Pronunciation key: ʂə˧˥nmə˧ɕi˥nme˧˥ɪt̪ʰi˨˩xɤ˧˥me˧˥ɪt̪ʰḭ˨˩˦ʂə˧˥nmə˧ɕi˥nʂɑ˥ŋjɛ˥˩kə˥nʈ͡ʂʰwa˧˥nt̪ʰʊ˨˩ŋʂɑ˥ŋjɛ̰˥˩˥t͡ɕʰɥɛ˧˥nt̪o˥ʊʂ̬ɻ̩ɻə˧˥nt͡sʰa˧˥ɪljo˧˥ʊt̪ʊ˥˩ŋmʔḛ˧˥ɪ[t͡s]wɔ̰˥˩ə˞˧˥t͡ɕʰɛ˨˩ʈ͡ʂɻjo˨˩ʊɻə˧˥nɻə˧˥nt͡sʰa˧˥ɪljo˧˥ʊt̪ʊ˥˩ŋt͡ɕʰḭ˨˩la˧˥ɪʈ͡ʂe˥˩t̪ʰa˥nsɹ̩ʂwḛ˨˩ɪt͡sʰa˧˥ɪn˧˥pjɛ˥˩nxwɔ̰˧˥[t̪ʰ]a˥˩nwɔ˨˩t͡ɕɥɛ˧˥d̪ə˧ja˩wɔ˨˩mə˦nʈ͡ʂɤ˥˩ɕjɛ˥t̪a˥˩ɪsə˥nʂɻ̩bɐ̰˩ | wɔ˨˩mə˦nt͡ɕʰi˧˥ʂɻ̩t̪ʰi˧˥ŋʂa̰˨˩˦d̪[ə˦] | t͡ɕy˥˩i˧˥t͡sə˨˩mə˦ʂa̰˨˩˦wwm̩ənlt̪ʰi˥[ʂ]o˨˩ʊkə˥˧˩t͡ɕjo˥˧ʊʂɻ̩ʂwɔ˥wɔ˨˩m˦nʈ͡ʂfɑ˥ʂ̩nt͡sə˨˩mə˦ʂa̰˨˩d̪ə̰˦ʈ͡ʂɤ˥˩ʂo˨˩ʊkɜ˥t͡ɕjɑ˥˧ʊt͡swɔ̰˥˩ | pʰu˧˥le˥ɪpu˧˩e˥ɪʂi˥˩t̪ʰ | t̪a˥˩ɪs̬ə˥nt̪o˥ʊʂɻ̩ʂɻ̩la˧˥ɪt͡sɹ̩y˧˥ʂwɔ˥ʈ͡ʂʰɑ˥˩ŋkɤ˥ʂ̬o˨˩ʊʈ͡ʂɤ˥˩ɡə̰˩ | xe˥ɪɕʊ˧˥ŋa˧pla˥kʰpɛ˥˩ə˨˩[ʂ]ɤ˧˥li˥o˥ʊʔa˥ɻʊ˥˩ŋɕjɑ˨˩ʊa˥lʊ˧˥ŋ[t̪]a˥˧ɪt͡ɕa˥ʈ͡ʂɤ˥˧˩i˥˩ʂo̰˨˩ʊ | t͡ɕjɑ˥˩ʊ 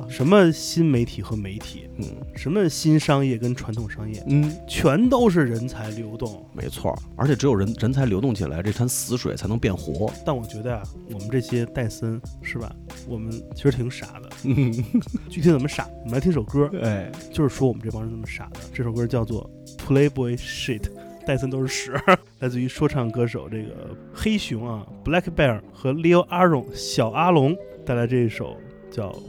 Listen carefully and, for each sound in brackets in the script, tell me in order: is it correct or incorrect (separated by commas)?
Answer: incorrect, incorrect, correct, correct, incorrect, correct